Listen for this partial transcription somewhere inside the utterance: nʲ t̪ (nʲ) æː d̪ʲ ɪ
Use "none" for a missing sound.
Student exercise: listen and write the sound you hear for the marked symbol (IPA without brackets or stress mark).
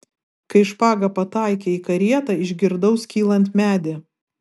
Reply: mʲ